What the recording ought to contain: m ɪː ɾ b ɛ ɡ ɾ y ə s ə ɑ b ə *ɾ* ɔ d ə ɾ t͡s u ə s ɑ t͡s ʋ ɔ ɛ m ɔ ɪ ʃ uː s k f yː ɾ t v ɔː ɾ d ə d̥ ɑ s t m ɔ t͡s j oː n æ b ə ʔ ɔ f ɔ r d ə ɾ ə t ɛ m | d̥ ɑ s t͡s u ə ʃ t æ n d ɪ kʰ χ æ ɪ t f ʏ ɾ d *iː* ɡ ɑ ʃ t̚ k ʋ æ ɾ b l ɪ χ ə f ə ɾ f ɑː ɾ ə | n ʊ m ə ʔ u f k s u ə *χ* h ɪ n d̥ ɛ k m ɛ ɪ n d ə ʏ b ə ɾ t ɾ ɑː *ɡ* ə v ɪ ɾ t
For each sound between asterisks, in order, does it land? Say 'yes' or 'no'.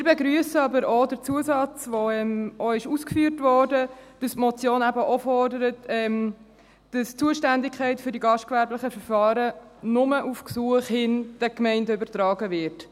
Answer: yes, no, yes, yes

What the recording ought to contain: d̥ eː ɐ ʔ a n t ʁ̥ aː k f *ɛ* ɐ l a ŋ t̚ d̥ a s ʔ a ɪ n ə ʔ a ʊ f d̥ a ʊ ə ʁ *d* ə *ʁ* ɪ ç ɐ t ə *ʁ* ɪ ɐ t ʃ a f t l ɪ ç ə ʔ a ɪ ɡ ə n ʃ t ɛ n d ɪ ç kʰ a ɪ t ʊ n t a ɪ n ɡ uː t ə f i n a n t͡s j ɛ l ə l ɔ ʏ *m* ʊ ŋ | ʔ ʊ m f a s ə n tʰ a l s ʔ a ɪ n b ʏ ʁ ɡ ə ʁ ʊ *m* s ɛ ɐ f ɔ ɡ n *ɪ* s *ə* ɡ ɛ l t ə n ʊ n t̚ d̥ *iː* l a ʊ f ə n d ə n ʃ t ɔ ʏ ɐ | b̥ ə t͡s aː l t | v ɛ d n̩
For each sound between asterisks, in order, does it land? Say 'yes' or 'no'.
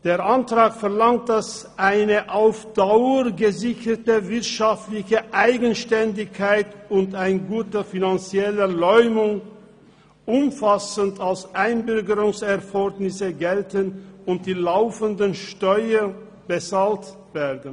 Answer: yes, no, no, no, yes, no, yes, yes, yes

